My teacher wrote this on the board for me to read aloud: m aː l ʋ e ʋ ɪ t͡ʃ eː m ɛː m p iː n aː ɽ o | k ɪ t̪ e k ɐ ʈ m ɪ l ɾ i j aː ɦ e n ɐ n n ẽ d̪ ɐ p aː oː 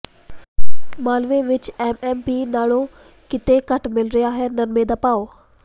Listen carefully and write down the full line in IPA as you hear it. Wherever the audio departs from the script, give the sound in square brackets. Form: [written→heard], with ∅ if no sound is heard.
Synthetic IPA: m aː l ʋ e ʋ ɪ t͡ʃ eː m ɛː m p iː n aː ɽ o | k ɪ t̪ e k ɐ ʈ m ɪ l ɾ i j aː ɦ e n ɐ n [n→m] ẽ d̪ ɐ p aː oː